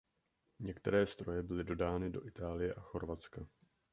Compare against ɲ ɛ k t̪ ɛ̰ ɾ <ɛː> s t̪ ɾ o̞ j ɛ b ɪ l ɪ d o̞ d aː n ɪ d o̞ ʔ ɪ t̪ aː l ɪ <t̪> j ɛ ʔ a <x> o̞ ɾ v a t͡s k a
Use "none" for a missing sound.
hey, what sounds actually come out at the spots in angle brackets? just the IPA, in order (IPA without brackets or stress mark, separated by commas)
ɛː, none, x